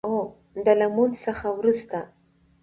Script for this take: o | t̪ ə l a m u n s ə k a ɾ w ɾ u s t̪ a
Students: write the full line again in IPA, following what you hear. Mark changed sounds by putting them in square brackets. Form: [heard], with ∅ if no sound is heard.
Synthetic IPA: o | [d̪] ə l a m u n s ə [x] a [∅] w ɾ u s t̪ a

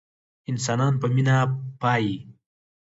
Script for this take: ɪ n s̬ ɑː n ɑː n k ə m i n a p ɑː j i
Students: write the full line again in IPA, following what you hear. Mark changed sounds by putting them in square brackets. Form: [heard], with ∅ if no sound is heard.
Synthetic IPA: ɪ n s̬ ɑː n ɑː n [p] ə m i n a p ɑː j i

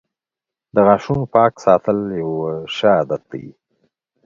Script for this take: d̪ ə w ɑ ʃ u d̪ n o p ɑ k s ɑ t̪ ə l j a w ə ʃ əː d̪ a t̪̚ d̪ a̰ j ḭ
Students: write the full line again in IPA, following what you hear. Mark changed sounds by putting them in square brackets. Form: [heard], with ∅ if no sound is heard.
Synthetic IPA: d̪ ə [ɣ] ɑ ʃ u [∅] n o p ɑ k s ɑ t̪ ə l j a w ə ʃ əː d̪ a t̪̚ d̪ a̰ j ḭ

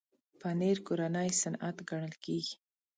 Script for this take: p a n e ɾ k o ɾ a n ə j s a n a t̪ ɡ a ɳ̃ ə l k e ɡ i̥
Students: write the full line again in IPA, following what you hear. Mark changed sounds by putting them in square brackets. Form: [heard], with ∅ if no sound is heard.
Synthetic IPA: p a n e ɾ k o ɾ a n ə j s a n a t̪ ɡ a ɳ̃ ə l k e ɡ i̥

